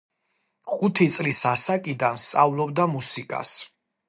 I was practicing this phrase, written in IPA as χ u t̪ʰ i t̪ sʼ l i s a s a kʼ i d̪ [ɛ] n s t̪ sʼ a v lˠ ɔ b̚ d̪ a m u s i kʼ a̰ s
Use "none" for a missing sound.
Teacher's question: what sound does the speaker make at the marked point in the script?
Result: a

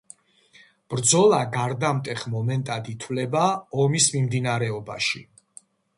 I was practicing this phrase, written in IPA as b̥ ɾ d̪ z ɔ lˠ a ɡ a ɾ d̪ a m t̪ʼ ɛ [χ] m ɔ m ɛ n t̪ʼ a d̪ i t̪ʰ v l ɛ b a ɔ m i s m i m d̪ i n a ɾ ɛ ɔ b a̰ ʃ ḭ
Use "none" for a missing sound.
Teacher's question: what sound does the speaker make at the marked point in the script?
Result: χ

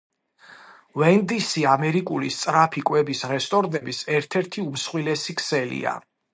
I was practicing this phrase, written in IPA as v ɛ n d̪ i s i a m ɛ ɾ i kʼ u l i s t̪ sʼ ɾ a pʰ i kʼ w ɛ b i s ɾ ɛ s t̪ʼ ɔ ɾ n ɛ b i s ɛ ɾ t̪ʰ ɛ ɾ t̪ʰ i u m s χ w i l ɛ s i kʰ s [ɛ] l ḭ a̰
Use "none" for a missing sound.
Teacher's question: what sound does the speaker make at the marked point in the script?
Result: ɛ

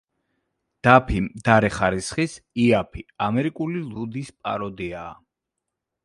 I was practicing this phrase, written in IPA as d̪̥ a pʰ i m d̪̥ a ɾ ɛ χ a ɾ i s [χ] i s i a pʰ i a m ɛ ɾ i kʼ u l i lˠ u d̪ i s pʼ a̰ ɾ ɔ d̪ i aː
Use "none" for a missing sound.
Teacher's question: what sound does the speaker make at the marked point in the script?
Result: χ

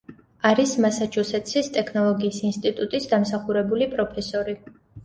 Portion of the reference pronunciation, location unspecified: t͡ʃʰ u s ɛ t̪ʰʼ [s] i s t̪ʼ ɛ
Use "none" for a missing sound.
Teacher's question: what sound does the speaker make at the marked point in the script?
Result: s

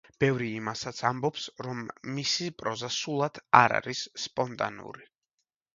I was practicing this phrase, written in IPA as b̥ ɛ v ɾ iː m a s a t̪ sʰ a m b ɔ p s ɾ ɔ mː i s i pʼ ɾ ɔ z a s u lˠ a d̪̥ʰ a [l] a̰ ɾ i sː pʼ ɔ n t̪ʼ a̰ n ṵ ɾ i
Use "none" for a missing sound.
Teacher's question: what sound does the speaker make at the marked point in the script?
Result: ɾ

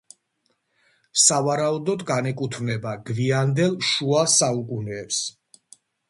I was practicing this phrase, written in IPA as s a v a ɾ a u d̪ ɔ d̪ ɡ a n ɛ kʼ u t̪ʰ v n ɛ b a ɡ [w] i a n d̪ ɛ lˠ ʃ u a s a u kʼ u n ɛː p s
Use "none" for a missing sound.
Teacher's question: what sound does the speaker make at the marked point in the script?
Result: v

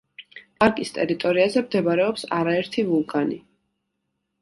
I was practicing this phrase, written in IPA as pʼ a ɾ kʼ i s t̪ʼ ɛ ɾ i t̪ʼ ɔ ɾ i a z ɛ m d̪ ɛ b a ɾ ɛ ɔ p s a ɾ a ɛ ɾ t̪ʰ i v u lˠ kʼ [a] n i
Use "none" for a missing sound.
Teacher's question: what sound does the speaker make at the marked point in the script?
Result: a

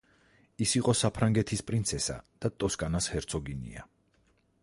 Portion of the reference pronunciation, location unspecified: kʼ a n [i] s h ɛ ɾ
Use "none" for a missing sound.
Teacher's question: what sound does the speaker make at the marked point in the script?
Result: a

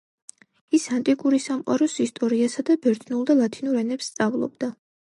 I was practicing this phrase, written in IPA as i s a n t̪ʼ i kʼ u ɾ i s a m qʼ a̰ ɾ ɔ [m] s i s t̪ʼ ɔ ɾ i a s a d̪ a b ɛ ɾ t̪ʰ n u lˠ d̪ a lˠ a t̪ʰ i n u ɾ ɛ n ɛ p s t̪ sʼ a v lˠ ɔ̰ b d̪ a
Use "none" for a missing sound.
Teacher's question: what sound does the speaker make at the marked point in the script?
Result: none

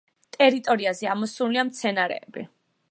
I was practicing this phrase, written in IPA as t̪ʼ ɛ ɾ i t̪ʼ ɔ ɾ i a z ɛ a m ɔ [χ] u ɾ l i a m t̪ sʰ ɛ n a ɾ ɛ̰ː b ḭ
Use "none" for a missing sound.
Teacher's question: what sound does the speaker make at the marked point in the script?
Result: s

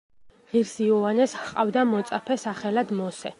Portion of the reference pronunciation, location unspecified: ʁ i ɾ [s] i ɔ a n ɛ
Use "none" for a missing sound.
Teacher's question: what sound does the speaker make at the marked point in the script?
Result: s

